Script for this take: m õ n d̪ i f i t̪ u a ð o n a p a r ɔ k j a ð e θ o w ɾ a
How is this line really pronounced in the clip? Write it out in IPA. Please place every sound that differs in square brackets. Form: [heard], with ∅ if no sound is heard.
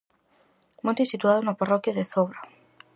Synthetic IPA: m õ n [t̪] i [s] i t̪ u a ð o n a p a r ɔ k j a ð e θ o [β] ɾ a